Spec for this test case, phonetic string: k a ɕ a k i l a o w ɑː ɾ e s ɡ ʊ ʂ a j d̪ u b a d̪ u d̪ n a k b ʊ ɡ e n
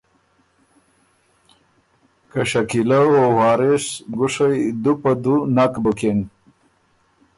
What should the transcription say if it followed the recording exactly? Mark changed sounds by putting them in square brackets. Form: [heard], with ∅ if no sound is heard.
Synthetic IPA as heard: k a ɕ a k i l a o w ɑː ɾ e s ɡ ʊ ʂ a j d̪ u [p] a d̪ u [∅] n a k b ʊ [k] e n